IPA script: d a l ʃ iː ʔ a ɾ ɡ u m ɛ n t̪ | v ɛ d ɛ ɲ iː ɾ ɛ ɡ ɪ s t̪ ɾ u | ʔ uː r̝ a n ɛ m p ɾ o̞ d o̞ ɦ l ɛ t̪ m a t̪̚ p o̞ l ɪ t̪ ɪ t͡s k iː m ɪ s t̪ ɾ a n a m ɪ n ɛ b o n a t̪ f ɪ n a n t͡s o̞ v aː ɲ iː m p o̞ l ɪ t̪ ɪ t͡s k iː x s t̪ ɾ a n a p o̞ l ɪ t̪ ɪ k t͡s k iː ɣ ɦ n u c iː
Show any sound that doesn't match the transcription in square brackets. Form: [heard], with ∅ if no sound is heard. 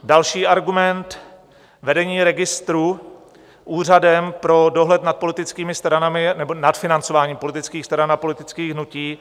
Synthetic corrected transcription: d a l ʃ iː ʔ a ɾ ɡ u m ɛ n t̪ | v ɛ d ɛ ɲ iː ɾ ɛ ɡ ɪ s t̪ ɾ u | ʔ uː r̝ a [d] ɛ m p ɾ o̞ d o̞ ɦ l ɛ t̪ [n] a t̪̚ p o̞ l ɪ t̪ ɪ t͡s k iː m ɪ s t̪ ɾ a n a m ɪ n ɛ b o n a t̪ f ɪ n a n t͡s o̞ v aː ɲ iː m p o̞ l ɪ t̪ ɪ t͡s k iː x s t̪ ɾ a n a p o̞ l ɪ t̪ ɪ [∅] t͡s k iː ɣ ɦ n u c iː